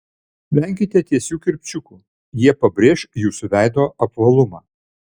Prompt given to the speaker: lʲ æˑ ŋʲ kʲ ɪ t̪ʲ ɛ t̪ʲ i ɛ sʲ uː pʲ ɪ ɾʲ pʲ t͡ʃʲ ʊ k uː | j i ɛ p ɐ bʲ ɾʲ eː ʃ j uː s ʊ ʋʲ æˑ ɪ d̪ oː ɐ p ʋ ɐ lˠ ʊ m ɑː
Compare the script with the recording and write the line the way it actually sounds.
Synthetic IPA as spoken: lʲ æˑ ŋʲ kʲ ɪ t̪ʲ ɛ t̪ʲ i ɛ sʲ uː kʲ ɪ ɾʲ pʲ t͡ʃʲ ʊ k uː | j i ɛ p ɐ bʲ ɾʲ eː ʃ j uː s ʊ ʋʲ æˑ ɪ d̪ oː ɐ p ʋ ɐ lˠ ʊ m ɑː